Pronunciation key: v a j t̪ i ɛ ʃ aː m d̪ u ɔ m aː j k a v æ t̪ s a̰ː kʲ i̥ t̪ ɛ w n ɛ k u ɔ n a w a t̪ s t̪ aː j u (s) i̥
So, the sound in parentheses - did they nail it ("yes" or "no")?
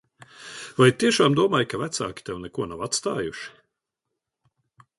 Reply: no